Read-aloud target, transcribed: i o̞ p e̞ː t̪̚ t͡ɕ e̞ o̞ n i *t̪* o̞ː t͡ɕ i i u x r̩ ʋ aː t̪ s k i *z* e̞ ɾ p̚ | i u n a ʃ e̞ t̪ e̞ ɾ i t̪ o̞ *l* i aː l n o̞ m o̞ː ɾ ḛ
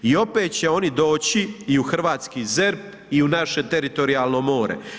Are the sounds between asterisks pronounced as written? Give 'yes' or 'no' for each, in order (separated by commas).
no, yes, no